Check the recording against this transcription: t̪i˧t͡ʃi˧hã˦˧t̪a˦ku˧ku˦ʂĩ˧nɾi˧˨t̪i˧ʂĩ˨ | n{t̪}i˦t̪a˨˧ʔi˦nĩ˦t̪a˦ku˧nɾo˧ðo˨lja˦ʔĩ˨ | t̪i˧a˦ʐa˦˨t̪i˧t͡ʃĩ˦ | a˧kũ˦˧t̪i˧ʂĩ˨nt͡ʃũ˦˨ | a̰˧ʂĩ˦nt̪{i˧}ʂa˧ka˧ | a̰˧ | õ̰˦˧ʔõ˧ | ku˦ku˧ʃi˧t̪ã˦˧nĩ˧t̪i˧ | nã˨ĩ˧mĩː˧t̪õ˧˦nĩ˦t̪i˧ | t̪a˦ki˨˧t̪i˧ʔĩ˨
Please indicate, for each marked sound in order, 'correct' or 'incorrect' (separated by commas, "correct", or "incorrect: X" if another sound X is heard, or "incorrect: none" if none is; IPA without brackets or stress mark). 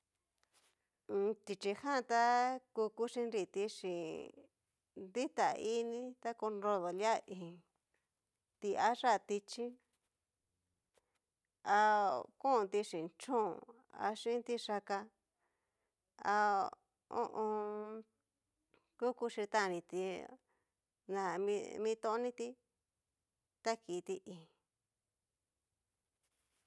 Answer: incorrect: d̪, correct